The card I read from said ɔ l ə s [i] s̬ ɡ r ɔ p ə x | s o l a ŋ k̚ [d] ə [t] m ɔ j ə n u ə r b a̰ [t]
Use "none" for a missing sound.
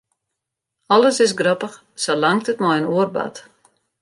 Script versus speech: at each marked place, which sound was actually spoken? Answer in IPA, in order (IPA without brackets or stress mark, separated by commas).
ɪ, t, t, t